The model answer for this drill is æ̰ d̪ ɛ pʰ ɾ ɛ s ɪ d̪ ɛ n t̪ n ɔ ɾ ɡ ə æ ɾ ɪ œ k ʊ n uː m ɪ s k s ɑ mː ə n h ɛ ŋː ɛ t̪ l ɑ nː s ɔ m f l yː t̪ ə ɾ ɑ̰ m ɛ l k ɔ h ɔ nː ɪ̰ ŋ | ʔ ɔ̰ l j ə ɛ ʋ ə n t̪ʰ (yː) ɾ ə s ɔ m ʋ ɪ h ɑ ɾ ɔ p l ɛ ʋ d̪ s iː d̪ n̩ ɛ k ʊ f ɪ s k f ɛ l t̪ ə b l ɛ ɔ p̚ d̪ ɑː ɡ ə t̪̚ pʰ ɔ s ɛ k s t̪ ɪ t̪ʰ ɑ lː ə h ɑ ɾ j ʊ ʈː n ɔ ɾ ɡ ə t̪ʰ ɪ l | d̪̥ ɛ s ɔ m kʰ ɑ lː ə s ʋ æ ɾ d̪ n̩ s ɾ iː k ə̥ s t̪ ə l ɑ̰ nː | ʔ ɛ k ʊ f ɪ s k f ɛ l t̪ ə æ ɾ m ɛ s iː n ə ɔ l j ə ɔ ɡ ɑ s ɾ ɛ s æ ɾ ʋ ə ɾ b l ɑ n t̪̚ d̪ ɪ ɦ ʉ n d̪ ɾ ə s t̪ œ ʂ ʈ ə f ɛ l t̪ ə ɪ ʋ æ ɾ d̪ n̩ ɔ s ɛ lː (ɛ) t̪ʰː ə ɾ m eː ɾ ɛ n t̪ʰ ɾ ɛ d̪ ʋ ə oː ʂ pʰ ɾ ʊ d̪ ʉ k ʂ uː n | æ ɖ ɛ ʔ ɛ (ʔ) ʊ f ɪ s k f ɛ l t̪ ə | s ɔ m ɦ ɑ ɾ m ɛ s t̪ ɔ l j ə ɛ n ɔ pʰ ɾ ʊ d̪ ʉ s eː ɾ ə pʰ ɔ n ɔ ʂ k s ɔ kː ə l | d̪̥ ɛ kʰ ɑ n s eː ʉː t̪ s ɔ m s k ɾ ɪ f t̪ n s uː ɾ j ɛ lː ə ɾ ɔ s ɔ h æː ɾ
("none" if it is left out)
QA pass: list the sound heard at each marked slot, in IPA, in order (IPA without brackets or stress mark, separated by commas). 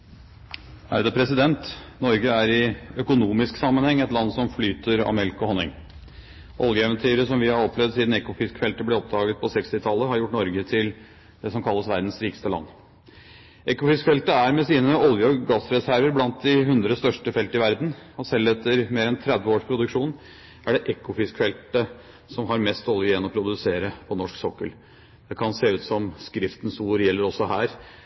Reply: yː, ɛ, k